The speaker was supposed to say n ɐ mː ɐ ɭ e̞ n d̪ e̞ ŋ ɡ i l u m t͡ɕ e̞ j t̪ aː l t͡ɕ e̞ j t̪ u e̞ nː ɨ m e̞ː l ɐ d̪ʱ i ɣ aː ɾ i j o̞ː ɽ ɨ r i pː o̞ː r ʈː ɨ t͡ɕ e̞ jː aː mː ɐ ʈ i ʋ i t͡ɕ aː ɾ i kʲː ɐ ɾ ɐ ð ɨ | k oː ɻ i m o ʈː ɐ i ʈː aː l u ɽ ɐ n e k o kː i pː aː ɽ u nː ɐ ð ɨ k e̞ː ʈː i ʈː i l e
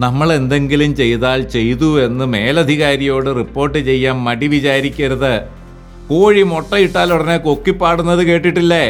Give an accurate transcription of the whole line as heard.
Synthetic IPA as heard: n ɐ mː ɐ ɭ e̞ n d̪ e̞ ŋ ɡ i l u m t͡ɕ e̞ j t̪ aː l t͡ɕ e̞ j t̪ u e̞ nː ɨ m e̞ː l ɐ d̪ʱ i ɣ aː ɾ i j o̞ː ɽ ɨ r i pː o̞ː r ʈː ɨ t͡ɕ e̞ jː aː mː ɐ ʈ i ʋ i t͡ɕ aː ɾ i kʲː ɐ ɾ ɐ ð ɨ | k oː ɻ i m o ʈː ɐ i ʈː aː l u ɽ ɐ n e k o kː i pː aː ɽ u nː ɐ ð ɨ k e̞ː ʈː i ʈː i lː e